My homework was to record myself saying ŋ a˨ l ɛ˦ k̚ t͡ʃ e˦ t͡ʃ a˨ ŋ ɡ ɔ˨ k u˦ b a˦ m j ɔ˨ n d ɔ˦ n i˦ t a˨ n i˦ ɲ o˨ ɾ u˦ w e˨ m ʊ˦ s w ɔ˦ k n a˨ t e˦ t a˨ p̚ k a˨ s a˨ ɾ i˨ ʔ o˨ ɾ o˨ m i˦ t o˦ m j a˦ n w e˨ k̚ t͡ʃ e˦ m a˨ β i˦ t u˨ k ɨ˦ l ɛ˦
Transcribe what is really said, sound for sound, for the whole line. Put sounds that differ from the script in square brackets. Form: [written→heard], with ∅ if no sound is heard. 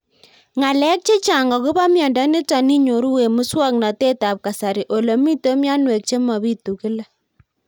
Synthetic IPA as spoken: ŋ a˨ l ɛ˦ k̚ t͡ʃ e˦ t͡ʃ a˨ ŋ ɡ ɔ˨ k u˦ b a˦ m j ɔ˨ n d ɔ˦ n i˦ t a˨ n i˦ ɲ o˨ ɾ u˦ w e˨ m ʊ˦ s w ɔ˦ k n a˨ t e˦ t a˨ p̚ k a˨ s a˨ ɾ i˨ ʔ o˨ [ɾ→l] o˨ m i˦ t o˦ m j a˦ n w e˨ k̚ t͡ʃ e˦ m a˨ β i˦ t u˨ k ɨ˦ l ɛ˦